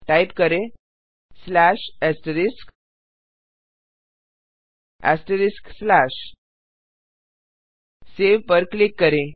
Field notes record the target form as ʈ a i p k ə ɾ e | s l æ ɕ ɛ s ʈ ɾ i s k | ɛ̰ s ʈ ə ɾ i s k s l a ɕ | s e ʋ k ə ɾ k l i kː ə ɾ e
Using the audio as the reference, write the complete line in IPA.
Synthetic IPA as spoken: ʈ a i p k ə ɾ e | s l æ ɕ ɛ s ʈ ɾ i s k | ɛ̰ s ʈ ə ɾ i s k s l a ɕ | s e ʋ p ə ɾ k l i kː ə ɾ e